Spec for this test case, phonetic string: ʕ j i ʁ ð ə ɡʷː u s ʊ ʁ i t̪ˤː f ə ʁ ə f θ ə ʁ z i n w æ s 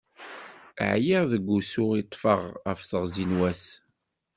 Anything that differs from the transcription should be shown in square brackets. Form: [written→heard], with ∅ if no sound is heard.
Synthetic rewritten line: ʕ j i ʁ ð ə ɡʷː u s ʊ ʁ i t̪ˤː f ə ʁ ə f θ ə ʁ z i n w æ s